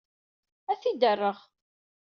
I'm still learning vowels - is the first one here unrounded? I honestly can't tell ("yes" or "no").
yes